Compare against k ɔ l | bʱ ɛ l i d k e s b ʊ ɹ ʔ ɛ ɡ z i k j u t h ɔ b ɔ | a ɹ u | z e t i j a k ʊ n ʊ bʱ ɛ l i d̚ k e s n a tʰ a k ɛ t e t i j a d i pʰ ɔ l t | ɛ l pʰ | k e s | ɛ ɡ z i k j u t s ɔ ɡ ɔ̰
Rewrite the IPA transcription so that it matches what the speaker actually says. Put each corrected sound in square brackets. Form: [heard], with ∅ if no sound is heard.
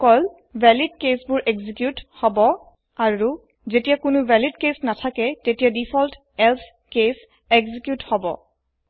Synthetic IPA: k ɔ l | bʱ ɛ l i d k e s b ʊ ɹ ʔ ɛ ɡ z i k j u t h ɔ b ɔ | a ɹ u | z e t i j a k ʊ n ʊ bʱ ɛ l i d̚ k e s n a tʰ a k ɛ t e t i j a d i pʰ ɔ l t | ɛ l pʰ | k e s | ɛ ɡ z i k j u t [h] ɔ [b] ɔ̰